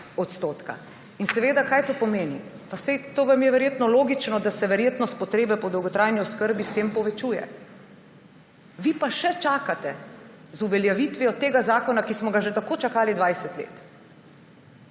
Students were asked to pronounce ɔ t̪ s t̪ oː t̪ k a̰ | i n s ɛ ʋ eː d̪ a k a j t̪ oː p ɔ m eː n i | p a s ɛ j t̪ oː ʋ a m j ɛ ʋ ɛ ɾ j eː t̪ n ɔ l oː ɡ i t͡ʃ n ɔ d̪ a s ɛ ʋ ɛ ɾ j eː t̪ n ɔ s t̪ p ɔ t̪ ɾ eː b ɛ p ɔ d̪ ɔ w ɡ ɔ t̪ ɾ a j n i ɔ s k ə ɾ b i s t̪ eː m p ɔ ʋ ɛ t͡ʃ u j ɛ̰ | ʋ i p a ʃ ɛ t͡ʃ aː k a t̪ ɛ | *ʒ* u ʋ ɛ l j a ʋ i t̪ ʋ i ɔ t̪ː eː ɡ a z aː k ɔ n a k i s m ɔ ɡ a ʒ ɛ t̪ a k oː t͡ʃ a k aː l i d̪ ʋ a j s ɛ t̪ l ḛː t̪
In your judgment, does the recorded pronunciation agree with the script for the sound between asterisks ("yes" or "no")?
no